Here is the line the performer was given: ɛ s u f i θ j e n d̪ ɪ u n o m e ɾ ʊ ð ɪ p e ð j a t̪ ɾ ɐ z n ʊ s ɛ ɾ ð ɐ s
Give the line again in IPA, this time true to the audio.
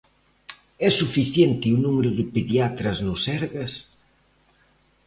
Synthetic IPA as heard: ɛ s u f i θ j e n t̪ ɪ u n u m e ɾ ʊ ð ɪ p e ð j a t̪ ɾ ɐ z n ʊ s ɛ ɾ ɣ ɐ s